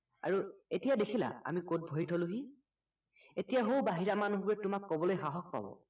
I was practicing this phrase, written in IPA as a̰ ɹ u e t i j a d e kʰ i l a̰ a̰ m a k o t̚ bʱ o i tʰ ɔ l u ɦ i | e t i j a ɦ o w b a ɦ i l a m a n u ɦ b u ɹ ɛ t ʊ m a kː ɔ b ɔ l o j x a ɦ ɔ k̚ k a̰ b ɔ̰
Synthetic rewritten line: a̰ ɹ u e t i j a d e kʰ i l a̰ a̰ m i k o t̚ bʱ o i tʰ ɔ l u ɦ i | e t i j a ɦ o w b a ɦ i ɹ a m a n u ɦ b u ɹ ɛ t ʊ m a kː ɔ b ɔ l o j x a ɦ ɔ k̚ p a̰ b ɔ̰